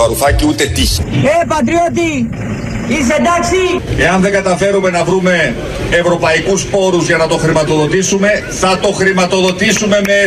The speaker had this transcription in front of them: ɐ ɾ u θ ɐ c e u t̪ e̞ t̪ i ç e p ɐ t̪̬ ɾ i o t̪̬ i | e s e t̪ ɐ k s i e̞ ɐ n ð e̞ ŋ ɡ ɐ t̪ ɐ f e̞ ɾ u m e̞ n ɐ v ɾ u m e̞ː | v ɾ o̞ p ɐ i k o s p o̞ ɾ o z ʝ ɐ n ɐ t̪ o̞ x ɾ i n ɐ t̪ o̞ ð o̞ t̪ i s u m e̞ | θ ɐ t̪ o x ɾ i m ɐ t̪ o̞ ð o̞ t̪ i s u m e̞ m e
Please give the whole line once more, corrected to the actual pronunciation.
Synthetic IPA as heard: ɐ ɾ u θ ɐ c i u t̪ e̞ t̪ i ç e p ɐ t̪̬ ɾ i o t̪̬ i | i s e d̪ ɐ k s i e̞ ɐ n ð e̞ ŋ ɡ ɐ t̪ ɐ f e̞ ɾ u m e̞ n ɐ v ɾ u m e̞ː | v ɾ o̞ p ɐ i k u s p o̞ ɾ u z ʝ ɐ n ɐ t̪ o̞ x ɾ i m ɐ t̪ o̞ ð o̞ t̪ i s u m e̞ | θ ɐ t̪ o x ɾ i m ɐ t̪ o̞ ð o̞ t̪ i s u m e̞ m e